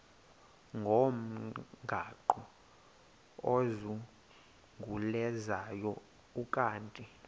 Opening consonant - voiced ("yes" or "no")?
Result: yes